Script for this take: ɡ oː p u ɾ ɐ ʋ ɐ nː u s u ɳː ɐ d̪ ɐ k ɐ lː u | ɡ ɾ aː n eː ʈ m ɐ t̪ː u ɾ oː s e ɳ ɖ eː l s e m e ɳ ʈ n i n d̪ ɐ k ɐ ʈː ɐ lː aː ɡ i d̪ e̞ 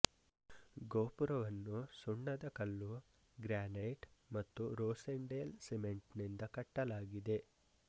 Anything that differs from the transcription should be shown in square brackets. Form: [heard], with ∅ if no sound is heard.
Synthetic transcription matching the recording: ɡ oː p u ɾ ɐ ʋ ɐ nː u s u ɳː ɐ d̪ ɐ k ɐ lː u | ɡ ɾ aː n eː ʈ m ɐ t̪ː u ɾ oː s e ɳ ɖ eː l s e m e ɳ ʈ n i n d̪ ɐ k ɐ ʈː ɐ [l] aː ɡ i d̪ e̞